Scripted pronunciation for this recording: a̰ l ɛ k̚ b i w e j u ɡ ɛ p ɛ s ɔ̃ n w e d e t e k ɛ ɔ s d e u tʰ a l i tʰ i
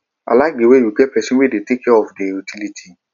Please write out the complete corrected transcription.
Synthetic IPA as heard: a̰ l a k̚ d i w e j u ɡ ɛ p ɛ s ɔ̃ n w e d e t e k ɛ ɔ f d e u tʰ i l i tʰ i